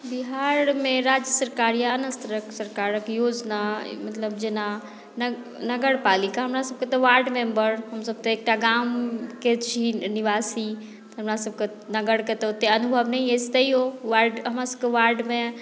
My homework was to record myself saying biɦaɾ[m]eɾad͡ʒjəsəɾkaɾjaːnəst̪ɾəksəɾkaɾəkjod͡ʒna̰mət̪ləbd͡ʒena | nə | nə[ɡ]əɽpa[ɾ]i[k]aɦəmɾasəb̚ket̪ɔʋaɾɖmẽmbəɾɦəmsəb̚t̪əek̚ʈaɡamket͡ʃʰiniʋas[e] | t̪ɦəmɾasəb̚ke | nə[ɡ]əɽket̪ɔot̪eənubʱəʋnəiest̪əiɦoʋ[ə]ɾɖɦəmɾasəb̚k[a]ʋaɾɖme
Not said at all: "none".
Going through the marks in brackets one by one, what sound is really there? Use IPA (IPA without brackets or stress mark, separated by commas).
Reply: m, ɡ, l, k, i, ɡ, a, e